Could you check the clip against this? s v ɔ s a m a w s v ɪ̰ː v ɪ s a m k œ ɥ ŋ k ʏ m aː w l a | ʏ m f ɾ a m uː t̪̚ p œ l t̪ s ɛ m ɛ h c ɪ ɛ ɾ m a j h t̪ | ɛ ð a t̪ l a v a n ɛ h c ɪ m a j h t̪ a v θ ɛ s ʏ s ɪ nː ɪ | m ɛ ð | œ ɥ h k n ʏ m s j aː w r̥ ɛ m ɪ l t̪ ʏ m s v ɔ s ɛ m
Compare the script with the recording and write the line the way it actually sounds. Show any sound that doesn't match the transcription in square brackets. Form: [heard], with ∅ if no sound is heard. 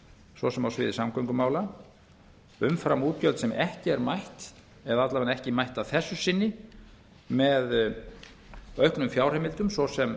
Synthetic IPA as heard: s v ɔ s [ɛ] m a w s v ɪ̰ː [ð] ɪ s a m k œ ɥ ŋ k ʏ m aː w l a | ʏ m f ɾ a m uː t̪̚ [c] œ l t̪ s ɛ m ɛ h c ɪ ɛ ɾ m a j h t̪ | ɛ ð a t̪ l a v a n ɛ h c ɪ m a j h t̪ a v θ ɛ [sː] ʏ s ɪ nː ɪ | m ɛ ð | œ ɥ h k n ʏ m [f] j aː w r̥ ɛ m ɪ l t̪ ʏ m s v ɔ s ɛ m

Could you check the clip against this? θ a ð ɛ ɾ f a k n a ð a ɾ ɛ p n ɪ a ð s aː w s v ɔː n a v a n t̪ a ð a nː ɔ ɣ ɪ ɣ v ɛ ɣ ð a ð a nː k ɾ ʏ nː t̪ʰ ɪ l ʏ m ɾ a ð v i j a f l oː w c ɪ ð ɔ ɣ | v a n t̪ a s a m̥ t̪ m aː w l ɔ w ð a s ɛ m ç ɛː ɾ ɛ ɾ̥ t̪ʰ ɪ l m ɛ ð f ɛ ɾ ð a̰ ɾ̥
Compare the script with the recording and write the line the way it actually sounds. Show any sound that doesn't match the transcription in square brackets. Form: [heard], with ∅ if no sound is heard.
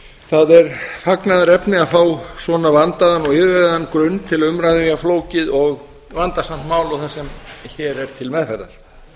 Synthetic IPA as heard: θ a ð ɛ ɾ f a k n a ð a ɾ ɛ p n ɪ a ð [f] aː w s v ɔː n a v a n t̪ a ð a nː ɔ ɣ ɪ [ð] v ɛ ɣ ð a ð a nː k ɾ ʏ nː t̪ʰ ɪ l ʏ m ɾ a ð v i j a f l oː w c ɪ ð ɔ ɣ | v a n t̪ a s a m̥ t̪ m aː w l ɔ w [θ] a s ɛ m ç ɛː ɾ ɛ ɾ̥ t̪ʰ ɪ l m ɛ ð f ɛ ɾ ð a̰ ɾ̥

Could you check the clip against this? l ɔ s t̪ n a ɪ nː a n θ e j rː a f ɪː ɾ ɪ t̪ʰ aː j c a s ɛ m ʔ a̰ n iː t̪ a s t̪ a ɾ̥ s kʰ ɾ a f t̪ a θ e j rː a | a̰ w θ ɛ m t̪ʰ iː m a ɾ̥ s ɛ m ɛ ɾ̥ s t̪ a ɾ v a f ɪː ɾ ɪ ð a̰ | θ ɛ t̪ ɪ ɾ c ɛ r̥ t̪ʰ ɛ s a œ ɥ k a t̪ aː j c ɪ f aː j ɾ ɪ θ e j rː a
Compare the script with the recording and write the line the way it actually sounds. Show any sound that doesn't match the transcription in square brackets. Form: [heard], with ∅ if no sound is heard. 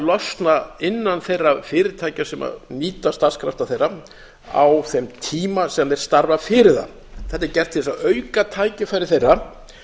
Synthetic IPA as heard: l ɔ s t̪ n a ɪ nː a n θ e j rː a f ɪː ɾ ɪ t̪ʰ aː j c a s ɛ m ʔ a̰ n iː t̪ a s t̪ a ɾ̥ s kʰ ɾ a f t̪ a θ e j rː a | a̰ w θ ɛ m t̪ʰ iː m a [∅] s ɛ m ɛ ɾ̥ s t̪ a ɾ v a f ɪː ɾ ɪ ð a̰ | θ ɛ t̪ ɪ ɾ c ɛ r̥ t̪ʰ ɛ s a œ ɥ k a [t̪ʰ] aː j c ɪ f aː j ɾ ɪ θ e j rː a

